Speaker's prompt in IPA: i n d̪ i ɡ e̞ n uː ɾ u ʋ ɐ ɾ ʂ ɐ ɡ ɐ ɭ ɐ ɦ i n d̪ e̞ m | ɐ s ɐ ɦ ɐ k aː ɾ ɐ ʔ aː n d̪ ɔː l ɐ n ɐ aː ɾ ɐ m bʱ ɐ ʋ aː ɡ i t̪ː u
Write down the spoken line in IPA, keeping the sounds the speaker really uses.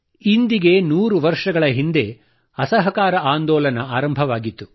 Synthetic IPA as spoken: i n d̪ i ɡ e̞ n uː ɾ u ʋ ɐ ɾ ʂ ɐ ɡ ɐ ɭ ɐ ɦ i n d̪ e̞ | ɐ s ɐ ɦ ɐ k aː ɾ ɐ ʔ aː n d̪ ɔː l ɐ n ɐ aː ɾ ɐ m bʱ ɐ ʋ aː ɡ i t̪ː u